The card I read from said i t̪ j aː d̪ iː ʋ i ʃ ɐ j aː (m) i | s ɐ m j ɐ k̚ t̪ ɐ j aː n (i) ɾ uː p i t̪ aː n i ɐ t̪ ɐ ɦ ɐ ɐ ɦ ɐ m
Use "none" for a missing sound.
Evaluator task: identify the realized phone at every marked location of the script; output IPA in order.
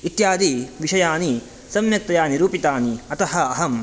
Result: n, i

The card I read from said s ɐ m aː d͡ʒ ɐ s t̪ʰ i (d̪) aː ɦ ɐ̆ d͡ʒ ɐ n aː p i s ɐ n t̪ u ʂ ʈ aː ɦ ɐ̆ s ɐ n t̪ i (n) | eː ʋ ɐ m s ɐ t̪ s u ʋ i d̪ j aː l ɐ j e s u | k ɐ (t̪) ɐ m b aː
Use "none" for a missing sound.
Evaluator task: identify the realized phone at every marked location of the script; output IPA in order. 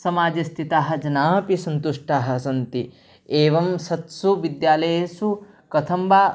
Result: t̪, none, t̪ʰ

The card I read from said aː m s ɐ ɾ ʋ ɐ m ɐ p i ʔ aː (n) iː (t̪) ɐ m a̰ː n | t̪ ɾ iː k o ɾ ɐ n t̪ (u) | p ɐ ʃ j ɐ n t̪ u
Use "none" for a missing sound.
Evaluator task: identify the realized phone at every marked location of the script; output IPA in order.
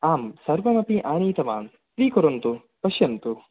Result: n, t̪, u

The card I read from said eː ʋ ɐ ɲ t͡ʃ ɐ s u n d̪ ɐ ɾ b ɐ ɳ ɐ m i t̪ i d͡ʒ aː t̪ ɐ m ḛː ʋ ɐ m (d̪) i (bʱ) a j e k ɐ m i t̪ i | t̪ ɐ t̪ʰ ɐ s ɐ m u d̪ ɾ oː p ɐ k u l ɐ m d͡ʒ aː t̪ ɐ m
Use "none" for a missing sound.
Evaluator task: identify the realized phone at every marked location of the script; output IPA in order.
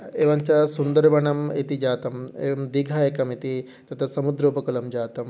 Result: d̪, ɡʱ

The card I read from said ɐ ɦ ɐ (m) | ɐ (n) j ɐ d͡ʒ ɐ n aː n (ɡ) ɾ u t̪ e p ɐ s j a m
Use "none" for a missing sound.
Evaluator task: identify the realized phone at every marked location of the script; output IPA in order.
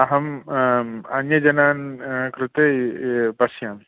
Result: m, n, k

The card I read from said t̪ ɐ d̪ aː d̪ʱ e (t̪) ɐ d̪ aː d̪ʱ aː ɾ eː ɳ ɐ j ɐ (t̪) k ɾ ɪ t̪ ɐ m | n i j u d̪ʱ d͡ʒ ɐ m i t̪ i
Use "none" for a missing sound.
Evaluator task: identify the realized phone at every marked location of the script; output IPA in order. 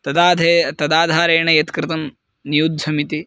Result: t̪, t̪

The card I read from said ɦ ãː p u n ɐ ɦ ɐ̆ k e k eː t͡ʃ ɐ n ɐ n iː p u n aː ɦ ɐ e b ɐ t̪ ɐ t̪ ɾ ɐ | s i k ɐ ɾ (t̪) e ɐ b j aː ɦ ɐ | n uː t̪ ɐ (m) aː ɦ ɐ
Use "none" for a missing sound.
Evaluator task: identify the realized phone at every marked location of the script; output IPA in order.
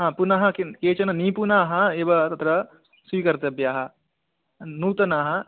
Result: t̪, n

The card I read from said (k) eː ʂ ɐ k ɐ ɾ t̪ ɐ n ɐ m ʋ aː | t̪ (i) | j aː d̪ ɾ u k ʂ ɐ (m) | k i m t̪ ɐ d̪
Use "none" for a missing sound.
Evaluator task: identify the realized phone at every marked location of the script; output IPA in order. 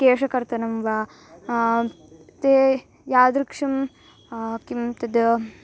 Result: k, e, m

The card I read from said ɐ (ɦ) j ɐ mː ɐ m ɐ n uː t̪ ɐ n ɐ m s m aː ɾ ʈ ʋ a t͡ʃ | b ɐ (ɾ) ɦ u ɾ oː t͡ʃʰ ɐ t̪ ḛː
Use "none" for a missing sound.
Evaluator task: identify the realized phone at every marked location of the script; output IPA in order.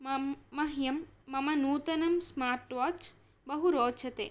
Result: ɦ, none

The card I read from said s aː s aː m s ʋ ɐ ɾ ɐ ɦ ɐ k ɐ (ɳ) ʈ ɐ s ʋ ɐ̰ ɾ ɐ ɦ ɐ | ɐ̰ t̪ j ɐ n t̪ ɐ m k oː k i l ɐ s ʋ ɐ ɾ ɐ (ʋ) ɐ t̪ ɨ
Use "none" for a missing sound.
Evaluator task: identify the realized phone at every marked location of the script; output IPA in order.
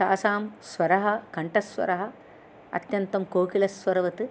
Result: ɳ, ʋ

